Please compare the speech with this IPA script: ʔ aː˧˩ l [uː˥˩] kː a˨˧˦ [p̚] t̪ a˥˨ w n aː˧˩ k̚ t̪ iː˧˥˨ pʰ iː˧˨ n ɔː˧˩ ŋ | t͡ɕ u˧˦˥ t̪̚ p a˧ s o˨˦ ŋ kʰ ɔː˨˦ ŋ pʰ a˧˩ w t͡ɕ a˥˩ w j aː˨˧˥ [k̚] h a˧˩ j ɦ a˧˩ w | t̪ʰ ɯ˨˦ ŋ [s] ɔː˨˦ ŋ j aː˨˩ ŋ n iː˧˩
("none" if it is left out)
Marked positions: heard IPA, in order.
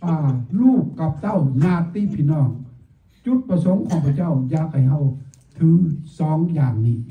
uː˥˩, p̚, k̚, s

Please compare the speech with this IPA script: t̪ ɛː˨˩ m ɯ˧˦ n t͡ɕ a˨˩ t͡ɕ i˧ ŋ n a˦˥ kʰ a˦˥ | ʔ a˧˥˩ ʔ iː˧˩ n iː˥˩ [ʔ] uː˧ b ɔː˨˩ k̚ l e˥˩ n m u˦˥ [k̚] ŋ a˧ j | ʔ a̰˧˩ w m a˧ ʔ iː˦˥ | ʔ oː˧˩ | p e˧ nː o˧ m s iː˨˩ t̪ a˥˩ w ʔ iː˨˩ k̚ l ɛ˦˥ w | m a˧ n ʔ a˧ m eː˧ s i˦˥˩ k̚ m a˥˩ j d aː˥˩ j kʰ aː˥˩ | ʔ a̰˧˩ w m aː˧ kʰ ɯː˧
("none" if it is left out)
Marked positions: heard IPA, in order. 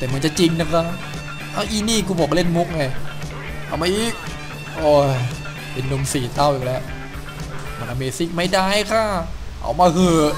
k, k̚

